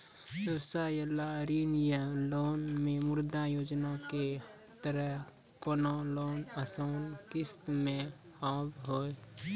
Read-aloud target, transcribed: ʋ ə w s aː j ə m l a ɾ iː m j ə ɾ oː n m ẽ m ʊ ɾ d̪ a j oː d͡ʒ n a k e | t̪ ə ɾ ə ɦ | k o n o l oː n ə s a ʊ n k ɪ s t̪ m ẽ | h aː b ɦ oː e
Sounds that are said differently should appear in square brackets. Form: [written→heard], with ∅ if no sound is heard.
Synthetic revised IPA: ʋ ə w s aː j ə [m→∅] l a ɾ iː [m→n] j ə [ɾ→l] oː n m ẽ m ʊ ɾ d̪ a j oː d͡ʒ n a k e | t̪ ə ɾ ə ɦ | k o n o l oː n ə s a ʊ n k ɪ s t̪ m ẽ | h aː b ɦ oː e